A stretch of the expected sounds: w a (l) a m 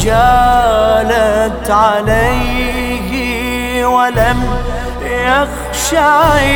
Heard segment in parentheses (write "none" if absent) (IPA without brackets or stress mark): l